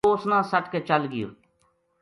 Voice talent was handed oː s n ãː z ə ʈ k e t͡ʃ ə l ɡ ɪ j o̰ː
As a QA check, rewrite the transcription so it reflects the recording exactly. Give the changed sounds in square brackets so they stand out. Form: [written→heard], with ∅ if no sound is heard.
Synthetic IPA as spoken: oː s n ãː [z→s] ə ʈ k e t͡ʃ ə l ɡ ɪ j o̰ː